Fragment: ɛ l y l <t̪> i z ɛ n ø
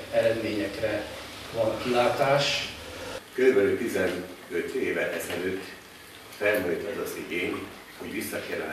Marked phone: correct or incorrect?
correct